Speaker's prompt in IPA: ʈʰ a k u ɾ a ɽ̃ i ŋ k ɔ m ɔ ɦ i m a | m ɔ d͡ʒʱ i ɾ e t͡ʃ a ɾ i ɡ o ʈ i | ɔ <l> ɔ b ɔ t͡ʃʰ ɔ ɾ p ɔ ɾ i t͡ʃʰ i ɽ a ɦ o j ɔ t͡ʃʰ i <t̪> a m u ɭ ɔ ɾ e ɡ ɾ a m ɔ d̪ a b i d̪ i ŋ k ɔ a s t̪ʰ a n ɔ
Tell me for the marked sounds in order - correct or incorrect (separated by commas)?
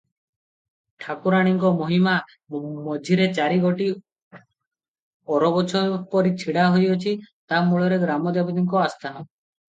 incorrect, correct